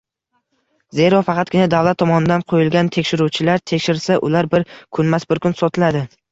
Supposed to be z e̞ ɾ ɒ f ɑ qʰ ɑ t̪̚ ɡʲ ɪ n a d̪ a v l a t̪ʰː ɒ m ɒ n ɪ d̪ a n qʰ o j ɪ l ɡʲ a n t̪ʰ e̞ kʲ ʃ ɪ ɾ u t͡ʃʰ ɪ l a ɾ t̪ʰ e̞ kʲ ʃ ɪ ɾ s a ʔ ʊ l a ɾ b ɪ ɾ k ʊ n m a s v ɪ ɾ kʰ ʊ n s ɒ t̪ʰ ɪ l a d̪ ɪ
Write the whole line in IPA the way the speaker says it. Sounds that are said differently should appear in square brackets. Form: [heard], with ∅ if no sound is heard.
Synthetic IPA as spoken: z e̞ ɾ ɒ f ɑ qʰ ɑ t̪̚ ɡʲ ɪ n a d̪ a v l a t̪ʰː ɒ m ɒ n ɪ d̪ a n qʰ o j ɪ l ɡʲ a n t̪ʰ e̞ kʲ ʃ ɪ ɾ u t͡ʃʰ ɪ l a ɾ t̪ʰ e̞ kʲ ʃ ɪ ɾ s a ʔ ʊ l a ɾ b ɪ ɾ [kʰ] ʊ n m a s [b] ɪ ɾ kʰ ʊ n s ɒ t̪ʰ ɪ l a d̪ ɪ